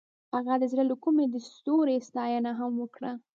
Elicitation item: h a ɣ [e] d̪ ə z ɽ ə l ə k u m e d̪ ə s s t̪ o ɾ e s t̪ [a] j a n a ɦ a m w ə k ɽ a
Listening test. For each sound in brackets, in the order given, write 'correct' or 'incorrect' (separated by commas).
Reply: incorrect, incorrect